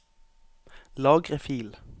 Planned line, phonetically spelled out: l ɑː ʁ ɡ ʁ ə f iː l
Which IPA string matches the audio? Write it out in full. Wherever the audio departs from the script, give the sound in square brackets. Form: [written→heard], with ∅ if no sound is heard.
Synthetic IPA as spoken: l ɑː [ʁ→∅] ɡ ʁ ə f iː l